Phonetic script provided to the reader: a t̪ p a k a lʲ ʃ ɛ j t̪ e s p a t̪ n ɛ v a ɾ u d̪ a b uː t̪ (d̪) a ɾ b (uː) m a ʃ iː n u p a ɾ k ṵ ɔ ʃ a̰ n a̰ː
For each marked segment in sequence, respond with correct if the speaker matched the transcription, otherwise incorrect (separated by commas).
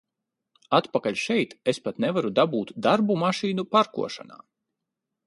correct, incorrect